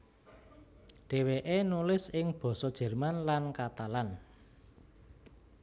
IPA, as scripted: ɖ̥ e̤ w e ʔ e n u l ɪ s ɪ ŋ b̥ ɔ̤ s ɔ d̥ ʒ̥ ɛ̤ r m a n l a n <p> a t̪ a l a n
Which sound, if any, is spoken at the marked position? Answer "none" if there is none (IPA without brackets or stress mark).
k